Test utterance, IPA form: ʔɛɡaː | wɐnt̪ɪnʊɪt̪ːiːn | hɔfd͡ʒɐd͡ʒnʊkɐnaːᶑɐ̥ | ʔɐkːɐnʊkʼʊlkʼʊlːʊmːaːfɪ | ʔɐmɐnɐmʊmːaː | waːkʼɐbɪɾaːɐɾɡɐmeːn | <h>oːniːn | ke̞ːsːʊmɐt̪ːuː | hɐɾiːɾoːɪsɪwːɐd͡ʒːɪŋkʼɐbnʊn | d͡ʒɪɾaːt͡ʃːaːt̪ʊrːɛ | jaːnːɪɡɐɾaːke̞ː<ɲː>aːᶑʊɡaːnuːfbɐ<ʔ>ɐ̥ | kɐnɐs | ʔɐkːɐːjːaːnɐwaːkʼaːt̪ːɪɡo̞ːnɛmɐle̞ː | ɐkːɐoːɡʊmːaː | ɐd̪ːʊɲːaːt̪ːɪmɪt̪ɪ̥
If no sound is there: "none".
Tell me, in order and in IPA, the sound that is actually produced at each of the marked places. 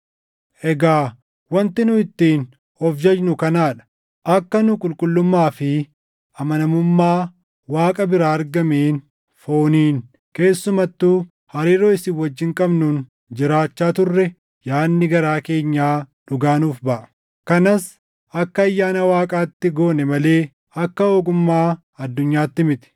f, ɲː, ʔ

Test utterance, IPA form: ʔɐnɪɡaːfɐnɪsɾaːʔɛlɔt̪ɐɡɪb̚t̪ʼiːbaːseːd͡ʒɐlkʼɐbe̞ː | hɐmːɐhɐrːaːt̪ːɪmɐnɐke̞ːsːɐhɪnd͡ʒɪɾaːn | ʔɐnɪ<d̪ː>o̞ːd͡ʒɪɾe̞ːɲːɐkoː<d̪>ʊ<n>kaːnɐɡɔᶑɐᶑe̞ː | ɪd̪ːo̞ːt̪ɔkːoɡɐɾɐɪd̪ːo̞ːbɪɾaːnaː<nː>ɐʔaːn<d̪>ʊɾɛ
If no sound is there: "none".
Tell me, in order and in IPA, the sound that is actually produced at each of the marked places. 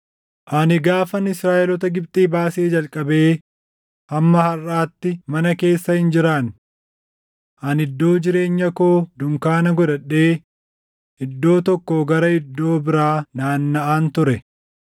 d̪ː, d̪, ŋ, nː, t̪

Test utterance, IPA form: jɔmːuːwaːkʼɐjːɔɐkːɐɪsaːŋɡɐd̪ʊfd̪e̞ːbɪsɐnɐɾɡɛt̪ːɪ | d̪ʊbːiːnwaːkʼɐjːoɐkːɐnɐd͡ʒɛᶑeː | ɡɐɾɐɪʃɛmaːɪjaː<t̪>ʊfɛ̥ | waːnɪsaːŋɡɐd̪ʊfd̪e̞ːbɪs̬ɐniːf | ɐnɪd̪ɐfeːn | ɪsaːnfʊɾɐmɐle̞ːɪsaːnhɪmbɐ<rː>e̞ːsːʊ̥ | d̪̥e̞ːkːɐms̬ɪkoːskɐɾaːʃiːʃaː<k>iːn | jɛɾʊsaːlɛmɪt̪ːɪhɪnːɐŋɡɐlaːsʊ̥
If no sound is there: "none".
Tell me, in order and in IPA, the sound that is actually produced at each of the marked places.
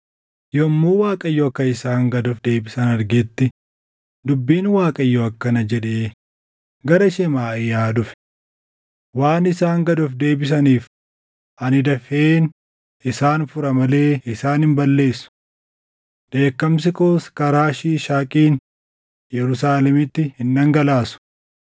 d̪, lː, kʼ

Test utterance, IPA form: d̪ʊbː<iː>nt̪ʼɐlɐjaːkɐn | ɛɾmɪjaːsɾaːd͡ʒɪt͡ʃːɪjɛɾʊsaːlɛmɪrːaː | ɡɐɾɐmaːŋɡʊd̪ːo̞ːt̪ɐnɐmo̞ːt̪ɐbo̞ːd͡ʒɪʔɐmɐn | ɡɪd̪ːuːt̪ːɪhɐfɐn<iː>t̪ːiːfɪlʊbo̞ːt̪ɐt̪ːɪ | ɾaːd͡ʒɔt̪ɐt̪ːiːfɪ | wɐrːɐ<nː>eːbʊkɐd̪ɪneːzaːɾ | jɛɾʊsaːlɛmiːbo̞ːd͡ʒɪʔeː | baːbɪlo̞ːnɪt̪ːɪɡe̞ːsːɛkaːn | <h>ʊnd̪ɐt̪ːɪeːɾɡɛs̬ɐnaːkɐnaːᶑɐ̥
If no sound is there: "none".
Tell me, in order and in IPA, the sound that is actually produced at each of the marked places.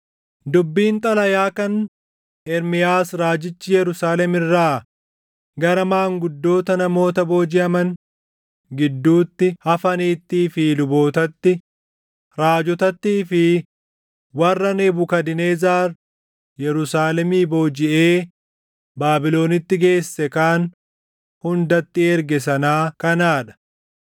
iː, iː, n, h

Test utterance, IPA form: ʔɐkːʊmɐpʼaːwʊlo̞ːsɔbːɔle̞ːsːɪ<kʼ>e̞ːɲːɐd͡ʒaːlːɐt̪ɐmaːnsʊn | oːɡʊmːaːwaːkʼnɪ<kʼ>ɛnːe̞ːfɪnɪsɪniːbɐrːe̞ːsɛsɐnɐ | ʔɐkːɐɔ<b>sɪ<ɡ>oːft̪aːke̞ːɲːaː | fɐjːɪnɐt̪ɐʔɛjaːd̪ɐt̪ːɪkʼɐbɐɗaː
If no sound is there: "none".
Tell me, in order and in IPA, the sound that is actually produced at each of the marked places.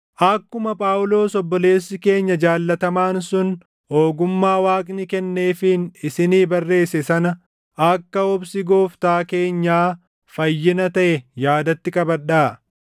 k, k, b, ɡ

